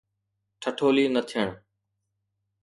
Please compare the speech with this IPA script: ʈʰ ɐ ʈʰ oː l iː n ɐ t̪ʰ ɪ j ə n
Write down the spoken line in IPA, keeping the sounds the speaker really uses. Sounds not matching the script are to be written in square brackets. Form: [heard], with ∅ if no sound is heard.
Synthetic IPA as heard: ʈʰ [ə] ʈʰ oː l iː n [ə] t̪ʰ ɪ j ə [ɳ]